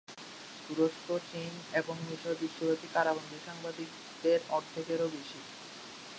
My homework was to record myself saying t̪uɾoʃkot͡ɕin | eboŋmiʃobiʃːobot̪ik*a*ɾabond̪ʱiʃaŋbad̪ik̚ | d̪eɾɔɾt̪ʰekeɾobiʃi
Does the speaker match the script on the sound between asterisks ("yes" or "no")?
yes